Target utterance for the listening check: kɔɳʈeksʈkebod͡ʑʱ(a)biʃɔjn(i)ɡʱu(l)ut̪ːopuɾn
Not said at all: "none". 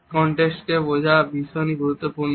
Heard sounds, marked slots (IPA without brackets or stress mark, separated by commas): a, i, ɾ